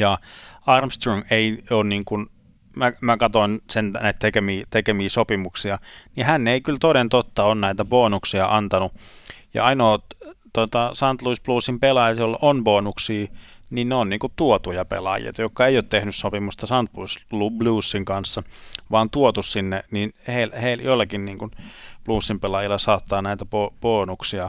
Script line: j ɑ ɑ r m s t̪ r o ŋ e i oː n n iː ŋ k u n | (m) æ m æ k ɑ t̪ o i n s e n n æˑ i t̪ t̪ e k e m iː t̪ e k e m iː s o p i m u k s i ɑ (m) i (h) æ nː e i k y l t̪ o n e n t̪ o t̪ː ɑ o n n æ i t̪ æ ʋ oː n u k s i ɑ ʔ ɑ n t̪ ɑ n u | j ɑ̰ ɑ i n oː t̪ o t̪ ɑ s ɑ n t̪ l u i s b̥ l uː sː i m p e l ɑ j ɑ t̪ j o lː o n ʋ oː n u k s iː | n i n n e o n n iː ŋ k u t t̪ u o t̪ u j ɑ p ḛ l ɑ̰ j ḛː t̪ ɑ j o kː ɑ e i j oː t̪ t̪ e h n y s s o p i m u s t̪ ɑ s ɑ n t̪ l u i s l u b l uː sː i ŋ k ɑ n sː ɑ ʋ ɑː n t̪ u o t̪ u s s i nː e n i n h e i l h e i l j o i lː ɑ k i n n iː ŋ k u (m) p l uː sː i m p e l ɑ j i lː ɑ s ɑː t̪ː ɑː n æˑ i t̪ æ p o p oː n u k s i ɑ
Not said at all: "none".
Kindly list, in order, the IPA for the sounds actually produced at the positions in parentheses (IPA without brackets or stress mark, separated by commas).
m, n, h, n